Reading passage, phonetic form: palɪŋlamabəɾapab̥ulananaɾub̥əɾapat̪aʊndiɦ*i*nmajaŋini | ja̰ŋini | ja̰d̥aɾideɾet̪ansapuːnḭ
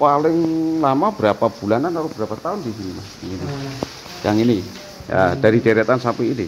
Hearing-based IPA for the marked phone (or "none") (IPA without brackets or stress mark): i